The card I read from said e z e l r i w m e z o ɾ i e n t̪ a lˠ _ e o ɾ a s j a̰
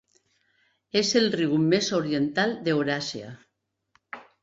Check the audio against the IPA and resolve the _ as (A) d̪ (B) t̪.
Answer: A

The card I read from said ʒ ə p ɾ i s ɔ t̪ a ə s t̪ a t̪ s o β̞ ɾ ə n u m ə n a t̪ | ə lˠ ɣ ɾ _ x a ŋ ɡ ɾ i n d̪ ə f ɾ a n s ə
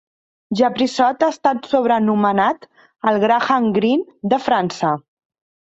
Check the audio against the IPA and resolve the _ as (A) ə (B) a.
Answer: B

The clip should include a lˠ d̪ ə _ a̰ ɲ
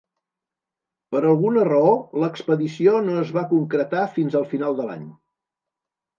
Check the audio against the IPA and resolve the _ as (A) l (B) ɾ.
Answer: A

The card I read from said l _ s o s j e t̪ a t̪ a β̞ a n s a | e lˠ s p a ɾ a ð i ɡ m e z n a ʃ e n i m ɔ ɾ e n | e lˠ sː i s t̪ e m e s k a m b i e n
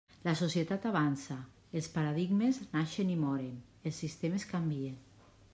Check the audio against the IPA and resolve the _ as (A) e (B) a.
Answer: B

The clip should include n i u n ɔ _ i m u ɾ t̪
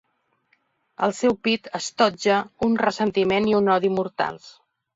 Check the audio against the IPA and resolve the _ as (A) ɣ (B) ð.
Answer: B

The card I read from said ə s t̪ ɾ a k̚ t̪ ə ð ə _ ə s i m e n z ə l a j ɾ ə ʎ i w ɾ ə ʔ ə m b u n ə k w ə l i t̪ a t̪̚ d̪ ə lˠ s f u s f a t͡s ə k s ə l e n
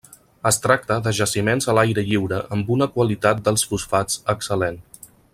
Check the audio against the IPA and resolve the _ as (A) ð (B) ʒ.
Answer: B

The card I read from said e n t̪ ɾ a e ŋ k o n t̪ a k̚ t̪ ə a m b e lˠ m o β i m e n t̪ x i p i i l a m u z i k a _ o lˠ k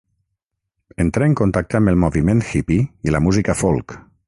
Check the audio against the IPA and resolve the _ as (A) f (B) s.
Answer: A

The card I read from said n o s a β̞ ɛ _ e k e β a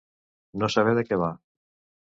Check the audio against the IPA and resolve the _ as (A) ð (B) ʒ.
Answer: A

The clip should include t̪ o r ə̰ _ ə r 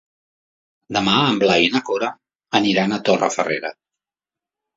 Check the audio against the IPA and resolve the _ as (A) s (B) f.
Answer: B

